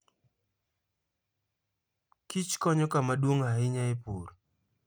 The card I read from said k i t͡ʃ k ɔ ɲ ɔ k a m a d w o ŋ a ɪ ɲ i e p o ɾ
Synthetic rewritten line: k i t͡ʃ k ɔ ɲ ɔ k a m a d w o ŋ a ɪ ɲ a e p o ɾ